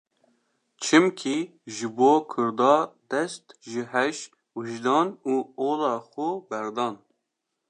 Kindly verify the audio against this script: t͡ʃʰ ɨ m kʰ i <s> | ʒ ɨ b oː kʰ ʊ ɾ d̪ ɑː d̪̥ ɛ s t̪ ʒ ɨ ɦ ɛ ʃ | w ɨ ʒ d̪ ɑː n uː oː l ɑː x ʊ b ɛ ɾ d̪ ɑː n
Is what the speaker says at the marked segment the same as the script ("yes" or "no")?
no